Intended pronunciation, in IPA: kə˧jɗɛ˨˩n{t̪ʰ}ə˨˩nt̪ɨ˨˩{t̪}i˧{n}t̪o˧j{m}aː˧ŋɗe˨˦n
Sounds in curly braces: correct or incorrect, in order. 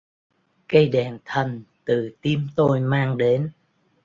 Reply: correct, correct, incorrect: m, correct

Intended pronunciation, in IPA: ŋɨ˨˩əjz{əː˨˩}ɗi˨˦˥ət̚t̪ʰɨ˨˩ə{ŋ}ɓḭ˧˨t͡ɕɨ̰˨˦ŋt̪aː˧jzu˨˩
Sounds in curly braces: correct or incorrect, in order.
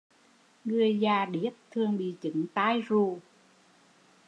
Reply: incorrect: aː˨˩, correct

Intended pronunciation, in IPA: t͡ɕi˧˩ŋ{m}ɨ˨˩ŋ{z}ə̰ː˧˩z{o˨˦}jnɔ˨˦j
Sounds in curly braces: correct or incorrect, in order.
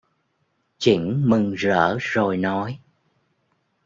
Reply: correct, correct, incorrect: o˨˩

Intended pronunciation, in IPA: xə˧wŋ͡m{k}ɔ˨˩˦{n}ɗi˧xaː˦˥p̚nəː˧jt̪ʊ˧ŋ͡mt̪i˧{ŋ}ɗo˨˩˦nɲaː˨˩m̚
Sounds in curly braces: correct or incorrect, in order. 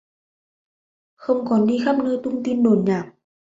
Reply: correct, correct, incorrect: n

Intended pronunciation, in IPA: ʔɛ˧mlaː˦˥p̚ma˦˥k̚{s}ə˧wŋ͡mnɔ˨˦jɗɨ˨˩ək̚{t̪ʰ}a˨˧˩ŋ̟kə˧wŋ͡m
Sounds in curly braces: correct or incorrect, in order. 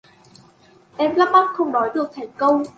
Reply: incorrect: x, correct

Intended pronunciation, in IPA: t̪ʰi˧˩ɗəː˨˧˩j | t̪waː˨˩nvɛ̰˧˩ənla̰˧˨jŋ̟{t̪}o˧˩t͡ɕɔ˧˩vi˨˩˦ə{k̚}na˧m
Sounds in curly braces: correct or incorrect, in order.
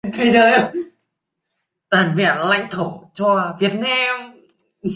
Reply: incorrect: t̪ʰ, incorrect: t̚

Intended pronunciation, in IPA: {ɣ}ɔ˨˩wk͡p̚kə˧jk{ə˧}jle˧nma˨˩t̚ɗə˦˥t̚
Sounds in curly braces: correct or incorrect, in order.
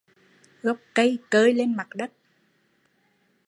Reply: correct, incorrect: əː˧

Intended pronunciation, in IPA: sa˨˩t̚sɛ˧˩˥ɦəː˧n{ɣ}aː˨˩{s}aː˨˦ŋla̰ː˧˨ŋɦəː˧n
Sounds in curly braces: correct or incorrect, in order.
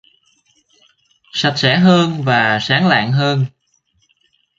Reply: incorrect: v, correct

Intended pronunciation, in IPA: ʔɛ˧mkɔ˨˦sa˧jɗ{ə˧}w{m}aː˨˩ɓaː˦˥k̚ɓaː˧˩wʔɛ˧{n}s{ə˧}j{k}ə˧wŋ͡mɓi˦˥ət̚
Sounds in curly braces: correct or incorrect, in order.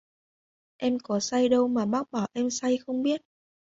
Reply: correct, correct, incorrect: m, incorrect: a˧, incorrect: x

